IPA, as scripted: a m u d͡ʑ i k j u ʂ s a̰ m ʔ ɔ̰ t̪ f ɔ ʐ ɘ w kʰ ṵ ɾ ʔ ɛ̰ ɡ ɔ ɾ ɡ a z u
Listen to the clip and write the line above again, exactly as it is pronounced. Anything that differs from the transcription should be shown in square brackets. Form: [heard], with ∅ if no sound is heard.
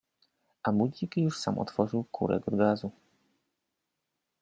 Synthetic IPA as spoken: a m u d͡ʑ i k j u ʂ s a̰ m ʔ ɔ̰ t̪ f ɔ ʐ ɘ w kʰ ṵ ɾ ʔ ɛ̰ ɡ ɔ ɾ ɡ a z u